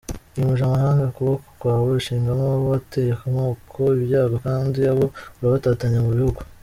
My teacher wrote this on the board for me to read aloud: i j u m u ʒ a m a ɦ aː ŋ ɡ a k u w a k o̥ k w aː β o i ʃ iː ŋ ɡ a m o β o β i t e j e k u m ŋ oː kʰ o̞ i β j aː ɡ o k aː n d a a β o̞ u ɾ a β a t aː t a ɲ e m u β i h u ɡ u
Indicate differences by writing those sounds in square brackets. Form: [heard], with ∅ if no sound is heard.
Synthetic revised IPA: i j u m u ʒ a m a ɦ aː ŋ ɡ a k u [β] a k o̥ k w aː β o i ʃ iː ŋ ɡ a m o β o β [a] t e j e k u m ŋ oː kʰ o̞ i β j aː ɡ o k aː n d [i] a β o̞ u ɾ a β a t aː t a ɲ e m u β i h u ɡ u